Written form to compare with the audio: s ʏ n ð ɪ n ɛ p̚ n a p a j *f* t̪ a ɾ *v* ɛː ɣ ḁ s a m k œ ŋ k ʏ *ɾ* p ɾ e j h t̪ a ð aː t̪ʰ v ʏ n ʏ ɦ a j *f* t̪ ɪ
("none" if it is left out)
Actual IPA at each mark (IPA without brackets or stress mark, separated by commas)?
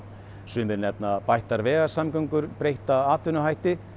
h, v, ɾ, h